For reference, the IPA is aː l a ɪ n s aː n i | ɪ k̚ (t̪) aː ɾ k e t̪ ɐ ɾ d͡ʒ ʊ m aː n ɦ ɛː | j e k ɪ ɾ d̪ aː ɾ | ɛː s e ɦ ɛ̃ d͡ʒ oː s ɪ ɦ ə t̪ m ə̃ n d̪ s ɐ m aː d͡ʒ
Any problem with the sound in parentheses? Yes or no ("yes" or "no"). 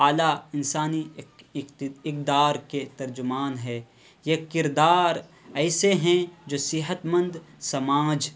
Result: yes